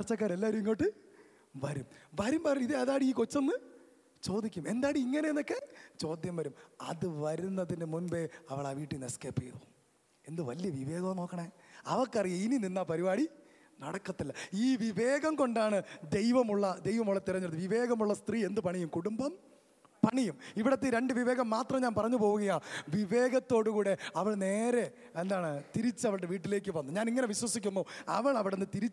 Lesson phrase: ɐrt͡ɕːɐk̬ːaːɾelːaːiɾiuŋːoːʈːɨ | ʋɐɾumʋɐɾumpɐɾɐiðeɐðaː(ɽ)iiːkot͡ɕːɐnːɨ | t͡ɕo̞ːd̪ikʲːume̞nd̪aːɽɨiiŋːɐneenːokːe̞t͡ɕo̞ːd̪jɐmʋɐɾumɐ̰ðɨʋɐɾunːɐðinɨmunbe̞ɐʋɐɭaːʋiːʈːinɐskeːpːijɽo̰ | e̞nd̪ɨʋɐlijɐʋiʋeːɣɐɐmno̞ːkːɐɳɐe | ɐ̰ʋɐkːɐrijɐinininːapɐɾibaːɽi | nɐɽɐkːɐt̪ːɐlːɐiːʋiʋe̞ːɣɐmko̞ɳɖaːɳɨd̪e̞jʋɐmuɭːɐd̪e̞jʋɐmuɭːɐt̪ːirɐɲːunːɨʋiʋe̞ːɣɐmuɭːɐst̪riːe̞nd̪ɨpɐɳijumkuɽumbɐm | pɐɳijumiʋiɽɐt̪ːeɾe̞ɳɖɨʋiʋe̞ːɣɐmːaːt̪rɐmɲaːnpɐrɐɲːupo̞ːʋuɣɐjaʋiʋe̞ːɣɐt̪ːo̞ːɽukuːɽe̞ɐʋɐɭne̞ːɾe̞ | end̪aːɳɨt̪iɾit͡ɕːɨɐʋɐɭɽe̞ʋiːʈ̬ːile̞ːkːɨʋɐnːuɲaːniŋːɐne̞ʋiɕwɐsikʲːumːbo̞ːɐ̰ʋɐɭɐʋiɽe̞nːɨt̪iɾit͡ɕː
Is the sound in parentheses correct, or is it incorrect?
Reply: correct